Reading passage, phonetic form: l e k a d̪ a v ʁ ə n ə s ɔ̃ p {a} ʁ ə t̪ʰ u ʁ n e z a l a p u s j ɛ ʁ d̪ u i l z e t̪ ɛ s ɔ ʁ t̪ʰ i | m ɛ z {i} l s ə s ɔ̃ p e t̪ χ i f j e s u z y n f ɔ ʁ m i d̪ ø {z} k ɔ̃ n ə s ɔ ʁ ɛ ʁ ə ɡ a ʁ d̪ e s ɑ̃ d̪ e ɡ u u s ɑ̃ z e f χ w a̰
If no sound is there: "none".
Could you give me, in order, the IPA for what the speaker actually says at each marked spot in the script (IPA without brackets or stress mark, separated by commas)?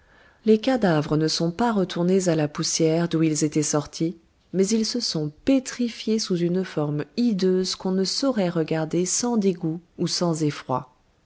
a, i, z